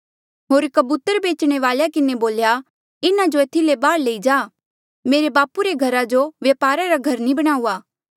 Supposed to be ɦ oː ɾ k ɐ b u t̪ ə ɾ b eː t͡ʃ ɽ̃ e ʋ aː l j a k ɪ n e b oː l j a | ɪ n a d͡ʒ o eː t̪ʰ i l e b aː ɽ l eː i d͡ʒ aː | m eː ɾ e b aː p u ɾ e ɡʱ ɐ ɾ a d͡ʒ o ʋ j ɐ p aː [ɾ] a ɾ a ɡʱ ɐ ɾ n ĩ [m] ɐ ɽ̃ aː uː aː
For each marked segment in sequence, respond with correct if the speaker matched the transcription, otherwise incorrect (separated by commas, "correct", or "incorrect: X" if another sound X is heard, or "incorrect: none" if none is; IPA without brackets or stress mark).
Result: correct, incorrect: b